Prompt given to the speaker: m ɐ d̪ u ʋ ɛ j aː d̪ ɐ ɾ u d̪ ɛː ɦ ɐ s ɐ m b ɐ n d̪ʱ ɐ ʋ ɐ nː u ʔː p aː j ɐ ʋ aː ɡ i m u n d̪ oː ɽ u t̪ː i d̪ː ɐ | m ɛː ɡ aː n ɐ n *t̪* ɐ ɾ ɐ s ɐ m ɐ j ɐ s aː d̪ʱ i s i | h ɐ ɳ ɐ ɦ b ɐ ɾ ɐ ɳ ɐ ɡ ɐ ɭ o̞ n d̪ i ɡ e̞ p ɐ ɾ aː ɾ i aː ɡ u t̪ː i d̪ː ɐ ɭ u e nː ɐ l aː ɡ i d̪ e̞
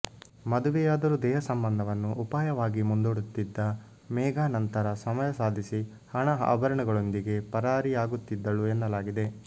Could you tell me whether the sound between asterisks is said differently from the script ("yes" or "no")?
no